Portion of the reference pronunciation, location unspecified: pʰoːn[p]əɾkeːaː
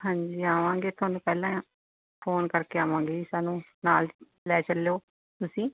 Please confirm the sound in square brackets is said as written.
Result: no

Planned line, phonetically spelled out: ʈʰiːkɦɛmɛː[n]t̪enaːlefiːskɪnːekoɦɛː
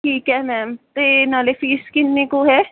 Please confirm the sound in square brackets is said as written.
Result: no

